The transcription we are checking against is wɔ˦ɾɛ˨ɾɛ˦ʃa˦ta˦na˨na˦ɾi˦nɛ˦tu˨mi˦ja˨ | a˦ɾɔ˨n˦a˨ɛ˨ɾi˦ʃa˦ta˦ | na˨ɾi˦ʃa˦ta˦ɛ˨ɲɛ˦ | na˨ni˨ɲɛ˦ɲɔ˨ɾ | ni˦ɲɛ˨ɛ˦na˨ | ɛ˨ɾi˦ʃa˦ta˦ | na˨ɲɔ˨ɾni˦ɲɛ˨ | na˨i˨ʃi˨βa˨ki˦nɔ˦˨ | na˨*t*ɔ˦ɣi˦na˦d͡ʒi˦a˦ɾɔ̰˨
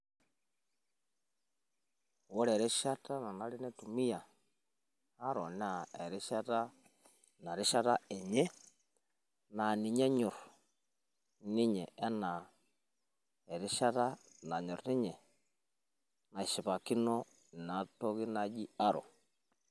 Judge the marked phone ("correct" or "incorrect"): correct